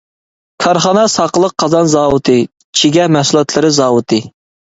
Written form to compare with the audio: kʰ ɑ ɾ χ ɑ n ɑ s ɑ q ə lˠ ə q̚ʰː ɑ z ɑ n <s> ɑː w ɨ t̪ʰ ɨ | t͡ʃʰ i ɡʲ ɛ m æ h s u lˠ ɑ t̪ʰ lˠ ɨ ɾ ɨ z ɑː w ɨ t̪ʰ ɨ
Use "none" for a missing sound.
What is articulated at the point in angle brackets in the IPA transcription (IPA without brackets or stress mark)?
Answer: z